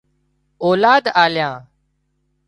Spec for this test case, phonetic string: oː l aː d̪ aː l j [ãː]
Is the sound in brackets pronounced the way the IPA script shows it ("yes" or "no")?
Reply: yes